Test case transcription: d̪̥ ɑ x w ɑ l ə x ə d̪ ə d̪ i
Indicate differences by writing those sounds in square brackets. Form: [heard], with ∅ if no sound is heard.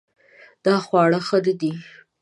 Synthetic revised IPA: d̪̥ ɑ x w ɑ [ɽ] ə x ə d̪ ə d̪ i